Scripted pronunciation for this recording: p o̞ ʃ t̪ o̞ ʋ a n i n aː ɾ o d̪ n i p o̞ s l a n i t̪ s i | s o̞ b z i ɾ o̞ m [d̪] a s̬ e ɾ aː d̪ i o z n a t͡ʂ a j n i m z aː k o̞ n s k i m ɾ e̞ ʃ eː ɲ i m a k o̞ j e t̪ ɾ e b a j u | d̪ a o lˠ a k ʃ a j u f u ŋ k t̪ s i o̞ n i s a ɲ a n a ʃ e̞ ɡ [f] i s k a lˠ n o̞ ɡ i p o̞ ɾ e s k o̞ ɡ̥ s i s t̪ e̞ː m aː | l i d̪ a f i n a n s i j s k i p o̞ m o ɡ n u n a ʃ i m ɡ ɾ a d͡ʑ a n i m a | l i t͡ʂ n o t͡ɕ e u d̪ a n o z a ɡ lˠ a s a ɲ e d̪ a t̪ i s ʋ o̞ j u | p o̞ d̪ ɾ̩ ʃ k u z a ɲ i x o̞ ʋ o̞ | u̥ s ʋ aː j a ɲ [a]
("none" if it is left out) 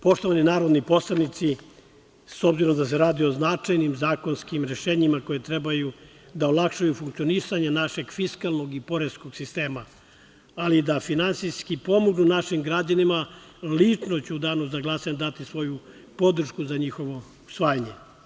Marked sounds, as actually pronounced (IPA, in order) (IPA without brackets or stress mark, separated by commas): d̪, f, e